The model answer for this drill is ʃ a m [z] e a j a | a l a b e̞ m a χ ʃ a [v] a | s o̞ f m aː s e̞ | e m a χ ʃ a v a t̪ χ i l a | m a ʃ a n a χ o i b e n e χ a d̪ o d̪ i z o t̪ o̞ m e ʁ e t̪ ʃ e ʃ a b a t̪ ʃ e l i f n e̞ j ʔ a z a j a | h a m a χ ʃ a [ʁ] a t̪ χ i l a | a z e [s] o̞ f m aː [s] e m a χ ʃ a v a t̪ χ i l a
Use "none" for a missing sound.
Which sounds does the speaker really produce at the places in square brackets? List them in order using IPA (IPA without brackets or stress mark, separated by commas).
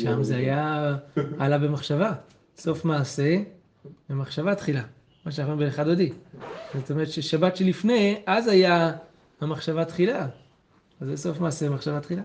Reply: z, v, v, s, s